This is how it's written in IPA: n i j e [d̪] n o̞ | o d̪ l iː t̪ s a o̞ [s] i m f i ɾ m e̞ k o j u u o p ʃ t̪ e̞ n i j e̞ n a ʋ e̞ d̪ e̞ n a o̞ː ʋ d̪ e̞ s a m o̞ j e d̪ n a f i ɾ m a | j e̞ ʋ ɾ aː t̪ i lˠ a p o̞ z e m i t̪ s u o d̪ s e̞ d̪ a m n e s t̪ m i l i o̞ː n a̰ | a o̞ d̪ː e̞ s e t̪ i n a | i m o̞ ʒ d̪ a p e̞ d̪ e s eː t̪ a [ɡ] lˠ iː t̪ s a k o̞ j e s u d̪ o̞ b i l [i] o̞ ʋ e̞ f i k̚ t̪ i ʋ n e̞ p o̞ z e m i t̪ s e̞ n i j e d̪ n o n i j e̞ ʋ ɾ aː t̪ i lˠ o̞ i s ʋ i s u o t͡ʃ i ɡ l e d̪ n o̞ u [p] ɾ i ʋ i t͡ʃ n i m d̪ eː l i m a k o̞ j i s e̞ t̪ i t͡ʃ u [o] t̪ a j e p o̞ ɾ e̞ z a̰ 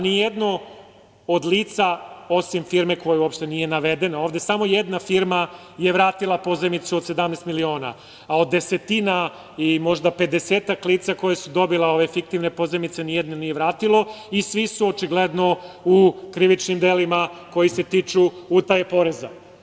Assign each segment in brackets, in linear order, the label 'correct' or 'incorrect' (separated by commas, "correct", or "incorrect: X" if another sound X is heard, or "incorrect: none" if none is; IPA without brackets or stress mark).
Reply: correct, correct, incorrect: k, incorrect: e, incorrect: k, incorrect: u